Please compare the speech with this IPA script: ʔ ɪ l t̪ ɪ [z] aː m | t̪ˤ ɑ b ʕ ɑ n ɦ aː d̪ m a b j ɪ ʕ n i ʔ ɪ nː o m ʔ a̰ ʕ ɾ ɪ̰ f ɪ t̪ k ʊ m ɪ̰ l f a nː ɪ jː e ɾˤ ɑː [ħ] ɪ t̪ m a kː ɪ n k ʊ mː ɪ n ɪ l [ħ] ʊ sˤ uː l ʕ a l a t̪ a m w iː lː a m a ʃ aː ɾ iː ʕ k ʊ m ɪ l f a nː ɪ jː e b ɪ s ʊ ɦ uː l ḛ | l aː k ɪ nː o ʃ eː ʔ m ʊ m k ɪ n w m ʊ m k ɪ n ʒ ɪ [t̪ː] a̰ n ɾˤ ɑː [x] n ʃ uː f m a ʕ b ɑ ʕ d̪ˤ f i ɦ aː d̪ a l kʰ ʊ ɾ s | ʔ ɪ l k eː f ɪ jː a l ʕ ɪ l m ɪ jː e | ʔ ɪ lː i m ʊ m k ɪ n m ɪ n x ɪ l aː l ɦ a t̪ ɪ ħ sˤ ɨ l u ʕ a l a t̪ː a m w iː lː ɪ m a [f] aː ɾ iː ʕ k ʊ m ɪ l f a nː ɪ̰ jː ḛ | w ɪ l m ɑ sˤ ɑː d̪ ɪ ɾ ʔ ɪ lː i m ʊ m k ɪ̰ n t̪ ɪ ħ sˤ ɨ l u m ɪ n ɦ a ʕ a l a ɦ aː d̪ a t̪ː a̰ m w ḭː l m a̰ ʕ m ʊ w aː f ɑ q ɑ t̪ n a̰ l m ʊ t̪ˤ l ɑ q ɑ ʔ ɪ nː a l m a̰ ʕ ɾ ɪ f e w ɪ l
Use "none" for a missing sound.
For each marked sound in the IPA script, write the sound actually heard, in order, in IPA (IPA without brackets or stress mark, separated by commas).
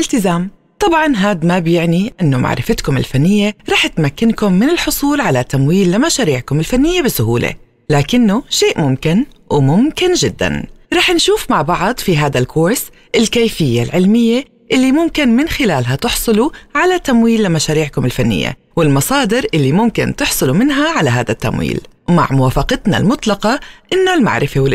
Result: z, ħ, ħ, d̪ː, ħ, ʃ